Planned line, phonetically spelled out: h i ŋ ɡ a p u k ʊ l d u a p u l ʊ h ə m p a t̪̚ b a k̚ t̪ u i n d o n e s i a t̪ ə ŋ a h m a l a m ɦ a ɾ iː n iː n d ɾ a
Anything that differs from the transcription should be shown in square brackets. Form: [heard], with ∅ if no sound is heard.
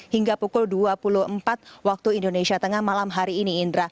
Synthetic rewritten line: h i ŋ ɡ a p u k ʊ l d u a p u l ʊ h ə m p a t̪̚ [w] a k̚ t̪ u i n d o n e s i a t̪ ə ŋ a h m a l a m ɦ a ɾ iː n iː n d ɾ a

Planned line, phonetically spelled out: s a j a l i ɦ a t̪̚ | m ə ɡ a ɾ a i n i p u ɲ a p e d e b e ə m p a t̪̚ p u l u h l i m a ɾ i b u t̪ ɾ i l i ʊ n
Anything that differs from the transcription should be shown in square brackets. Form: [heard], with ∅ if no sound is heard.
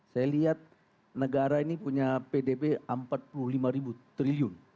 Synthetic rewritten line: s a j a l i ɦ a t̪̚ | [n] ə ɡ a ɾ a i n i p u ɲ a p e d e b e ə m p a t̪̚ p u l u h l i m a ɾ i b u t̪ ɾ i l i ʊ n

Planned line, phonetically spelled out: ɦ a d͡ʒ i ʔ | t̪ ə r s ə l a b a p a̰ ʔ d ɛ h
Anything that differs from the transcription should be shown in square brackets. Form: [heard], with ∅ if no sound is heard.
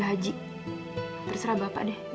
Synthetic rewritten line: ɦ a d͡ʒ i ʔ | t̪ ə r s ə [ɾ] a b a p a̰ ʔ d ɛ h

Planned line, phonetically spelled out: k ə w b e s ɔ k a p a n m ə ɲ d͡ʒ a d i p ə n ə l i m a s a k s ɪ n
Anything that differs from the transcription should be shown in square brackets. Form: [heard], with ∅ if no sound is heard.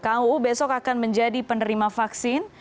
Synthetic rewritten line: k [a] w b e s ɔ k a [k] a n m ə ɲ d͡ʒ a d i p ə n ə [ɾ] i m a [f] a k s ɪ n

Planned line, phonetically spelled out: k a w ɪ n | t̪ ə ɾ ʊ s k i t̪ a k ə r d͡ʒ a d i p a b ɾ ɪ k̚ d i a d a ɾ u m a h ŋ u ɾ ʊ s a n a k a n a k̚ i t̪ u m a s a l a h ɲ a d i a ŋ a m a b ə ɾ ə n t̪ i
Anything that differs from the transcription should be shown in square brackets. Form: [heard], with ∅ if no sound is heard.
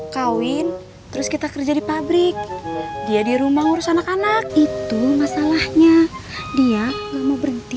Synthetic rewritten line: k a w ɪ n | t̪ ə ɾ ʊ s k i t̪ a k ə r d͡ʒ a d i p a b ɾ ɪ k̚ d i a d [i] ɾ u m a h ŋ u ɾ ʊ s a n a k a n a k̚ i t̪ u m a s a l a h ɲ a d i a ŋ a m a b ə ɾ ə n t̪ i

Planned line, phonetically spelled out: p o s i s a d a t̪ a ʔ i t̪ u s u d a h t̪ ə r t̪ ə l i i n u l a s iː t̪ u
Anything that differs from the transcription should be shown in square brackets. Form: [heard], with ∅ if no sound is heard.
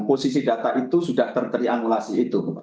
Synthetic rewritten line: p o s i s [i] d a t̪ a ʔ i t̪ u s u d a h t̪ ə r t̪ ə [ɾ] i [a] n u l a s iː t̪ u

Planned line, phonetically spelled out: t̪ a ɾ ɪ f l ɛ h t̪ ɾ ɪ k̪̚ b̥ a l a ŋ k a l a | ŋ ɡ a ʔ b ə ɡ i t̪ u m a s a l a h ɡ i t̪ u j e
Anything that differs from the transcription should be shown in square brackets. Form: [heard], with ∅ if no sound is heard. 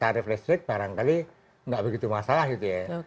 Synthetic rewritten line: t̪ a ɾ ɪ f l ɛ [s] t̪ ɾ ɪ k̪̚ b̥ a [ɾ] a ŋ k a l [i] | ŋ ɡ a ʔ b ə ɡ i t̪ u m a s a l a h ɡ i t̪ u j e

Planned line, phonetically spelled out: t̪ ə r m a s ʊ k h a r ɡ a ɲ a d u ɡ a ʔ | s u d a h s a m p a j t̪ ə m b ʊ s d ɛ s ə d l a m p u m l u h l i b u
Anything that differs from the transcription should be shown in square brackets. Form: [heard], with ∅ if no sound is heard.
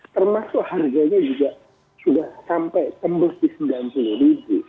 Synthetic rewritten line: t̪ ə r m a s ʊ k h a r ɡ a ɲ a [d͡ʒ] u ɡ a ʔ | s u d a h s a m p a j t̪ ə m b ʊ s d [i] s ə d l a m p u [∅] l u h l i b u

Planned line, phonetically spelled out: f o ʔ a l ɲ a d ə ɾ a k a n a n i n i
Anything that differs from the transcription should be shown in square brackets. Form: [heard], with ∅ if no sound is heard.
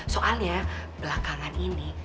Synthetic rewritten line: [s] o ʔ a l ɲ a [b] ə [l] a k a [ŋ] a n i n i

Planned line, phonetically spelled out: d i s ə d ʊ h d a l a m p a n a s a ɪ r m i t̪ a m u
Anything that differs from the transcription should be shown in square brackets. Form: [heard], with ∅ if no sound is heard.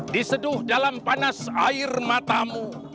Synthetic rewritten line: d i s ə d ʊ h d a l a m p a n a s a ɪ r m [a] t̪ a m u

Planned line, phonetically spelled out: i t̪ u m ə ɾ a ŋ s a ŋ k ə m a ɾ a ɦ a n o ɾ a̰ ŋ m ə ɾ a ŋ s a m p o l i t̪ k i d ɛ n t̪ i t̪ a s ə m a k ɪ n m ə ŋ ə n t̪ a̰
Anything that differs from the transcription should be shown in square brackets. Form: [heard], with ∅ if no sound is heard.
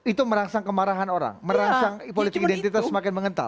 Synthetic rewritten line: i t̪ u m ə ɾ a ŋ s a ŋ k ə m a ɾ a ɦ a n o ɾ a̰ ŋ m ə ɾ a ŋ s a [ŋ] p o l i t̪ k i d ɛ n t̪ i t̪ a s ə m a k ɪ n m ə ŋ ə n t̪ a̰

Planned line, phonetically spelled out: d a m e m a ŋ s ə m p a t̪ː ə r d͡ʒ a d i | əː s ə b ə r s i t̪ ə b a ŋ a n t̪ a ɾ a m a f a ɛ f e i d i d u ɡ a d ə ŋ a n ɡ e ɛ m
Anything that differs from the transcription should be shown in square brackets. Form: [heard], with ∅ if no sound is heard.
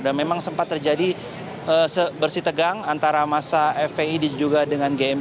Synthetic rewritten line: d a m e m a ŋ s ə m p a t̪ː ə r d͡ʒ a d i | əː s ə b ə r s i t̪ ə [ɡ] a ŋ a n t̪ a ɾ a m a [s] a ɛ f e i d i [d͡ʒ] u ɡ a d ə ŋ a n ɡ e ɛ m

